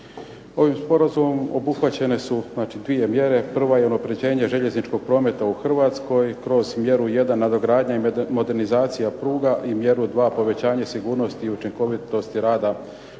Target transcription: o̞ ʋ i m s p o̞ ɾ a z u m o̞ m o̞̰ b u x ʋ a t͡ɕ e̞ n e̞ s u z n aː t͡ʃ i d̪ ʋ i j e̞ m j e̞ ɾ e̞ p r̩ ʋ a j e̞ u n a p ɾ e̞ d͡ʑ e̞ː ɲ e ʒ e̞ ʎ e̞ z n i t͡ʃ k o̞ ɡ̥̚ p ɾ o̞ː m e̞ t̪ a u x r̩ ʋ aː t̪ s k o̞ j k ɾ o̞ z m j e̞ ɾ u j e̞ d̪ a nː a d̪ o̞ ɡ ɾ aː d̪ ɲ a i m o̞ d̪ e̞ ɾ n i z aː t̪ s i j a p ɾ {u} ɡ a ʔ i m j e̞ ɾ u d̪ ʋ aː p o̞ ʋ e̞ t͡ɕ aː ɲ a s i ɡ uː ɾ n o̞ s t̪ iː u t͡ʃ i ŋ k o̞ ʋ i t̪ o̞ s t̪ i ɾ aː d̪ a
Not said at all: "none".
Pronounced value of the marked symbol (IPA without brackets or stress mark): uː